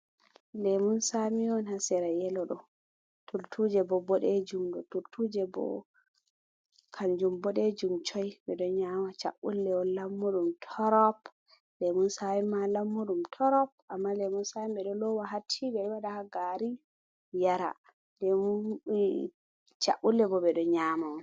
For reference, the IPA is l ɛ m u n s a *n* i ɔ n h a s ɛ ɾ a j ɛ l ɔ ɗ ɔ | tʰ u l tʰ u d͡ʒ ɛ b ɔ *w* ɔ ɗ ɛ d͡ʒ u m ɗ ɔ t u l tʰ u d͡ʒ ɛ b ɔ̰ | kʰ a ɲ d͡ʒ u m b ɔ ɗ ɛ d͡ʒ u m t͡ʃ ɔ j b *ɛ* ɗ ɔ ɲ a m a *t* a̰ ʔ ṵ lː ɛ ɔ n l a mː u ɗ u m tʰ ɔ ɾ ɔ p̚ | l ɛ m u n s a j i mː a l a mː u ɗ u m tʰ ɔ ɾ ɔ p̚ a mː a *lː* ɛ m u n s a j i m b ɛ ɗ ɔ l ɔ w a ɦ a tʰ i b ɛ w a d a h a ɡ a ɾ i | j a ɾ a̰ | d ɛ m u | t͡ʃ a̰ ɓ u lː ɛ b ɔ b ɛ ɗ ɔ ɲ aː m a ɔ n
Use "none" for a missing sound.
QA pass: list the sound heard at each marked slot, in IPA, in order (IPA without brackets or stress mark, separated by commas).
m, b, ɛ, t͡ʃ, l